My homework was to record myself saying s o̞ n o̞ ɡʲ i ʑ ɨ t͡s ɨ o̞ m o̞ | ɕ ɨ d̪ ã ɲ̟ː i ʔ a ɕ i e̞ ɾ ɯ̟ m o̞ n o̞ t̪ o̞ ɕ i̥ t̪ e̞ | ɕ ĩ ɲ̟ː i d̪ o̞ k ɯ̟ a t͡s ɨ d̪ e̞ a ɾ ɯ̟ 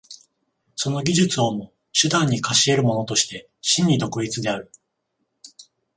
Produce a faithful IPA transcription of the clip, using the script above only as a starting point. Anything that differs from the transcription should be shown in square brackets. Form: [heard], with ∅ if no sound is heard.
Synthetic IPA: s o̞ n o̞ ɡʲ i ʑ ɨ t͡s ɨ o̞ m o̞ | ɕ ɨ d̪ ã ɲ̟ː i [k] a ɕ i e̞ ɾ ɯ̟ m o̞ n o̞ t̪ o̞ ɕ i̥ t̪ e̞ | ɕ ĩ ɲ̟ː i d̪ o̞ k ɯ̟ [i] t͡s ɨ d̪ e̞ a ɾ ɯ̟